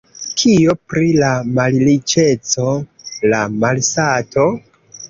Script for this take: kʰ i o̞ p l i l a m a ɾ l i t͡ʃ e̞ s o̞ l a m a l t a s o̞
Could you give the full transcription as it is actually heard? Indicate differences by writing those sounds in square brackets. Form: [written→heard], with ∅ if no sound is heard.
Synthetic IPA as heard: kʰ i o̞ p [l→ɾ] i l a m a [ɾ→l] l i t͡ʃ e̞ [s→t͡s] o̞ l a m a l [t→s] a [s→t] o̞